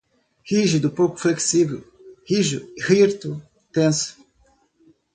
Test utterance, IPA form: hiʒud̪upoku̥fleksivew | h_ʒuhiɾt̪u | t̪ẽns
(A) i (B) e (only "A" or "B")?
A